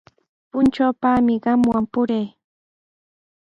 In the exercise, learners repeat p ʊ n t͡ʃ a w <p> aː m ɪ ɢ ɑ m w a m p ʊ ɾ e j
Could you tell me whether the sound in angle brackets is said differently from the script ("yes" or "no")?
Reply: no